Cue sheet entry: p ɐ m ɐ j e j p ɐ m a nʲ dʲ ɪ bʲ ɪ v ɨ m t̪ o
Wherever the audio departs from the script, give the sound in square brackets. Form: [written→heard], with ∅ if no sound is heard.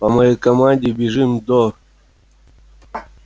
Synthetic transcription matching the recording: p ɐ m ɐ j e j [p→k] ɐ m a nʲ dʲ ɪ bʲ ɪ [v→ʐ] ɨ m [t̪→d̪] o